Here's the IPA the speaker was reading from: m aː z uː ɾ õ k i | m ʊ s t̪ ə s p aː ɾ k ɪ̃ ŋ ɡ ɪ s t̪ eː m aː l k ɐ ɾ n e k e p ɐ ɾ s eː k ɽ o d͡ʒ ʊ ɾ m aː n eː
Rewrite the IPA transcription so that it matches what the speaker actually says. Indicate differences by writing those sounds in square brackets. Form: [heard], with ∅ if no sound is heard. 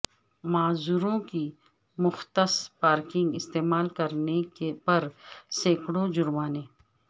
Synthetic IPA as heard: m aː z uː ɾ õ k i | m ʊ [x] t̪ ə s p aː ɾ k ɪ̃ ŋ ɡ ɪ s t̪ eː m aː l k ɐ ɾ n e k e p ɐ ɾ s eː k ɽ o d͡ʒ ʊ ɾ m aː n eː